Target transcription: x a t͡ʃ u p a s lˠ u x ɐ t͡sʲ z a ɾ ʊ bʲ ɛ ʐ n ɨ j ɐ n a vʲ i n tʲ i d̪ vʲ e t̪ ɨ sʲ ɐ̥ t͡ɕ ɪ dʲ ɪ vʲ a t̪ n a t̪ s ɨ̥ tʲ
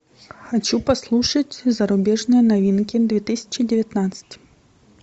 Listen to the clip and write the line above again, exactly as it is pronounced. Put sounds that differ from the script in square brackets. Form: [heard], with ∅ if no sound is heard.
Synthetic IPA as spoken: x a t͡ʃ u p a s lˠ u [ʂ] ɐ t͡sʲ z [ɐ] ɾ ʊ bʲ ɛ ʐ n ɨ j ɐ n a vʲ i n [kʲ] i d̪ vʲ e t̪ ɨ sʲ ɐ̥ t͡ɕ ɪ dʲ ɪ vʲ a t̪ n a t̪ s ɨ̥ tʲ